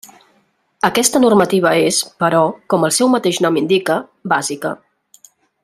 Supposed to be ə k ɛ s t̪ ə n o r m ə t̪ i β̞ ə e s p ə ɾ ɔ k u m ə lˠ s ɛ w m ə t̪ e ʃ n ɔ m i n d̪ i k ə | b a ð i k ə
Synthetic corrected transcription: ə k ɛ s t̪ ə n u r m ə t̪ i β̞ ə e s p ə ɾ ɔ k ɔ m ə lˠ s ɛ w m ə t̪ e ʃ n ɔ m i n d̪ i k ə | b a z i k ə